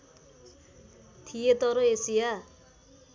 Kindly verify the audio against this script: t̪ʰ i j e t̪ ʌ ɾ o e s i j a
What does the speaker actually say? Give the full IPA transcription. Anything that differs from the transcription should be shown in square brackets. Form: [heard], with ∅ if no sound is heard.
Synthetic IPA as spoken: t̪ʰ i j e t̪ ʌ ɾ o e s i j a